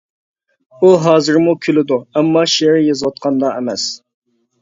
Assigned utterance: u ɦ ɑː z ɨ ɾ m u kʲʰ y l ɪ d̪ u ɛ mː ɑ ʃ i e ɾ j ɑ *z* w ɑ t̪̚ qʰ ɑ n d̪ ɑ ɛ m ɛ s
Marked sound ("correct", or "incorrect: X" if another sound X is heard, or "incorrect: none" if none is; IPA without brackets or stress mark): correct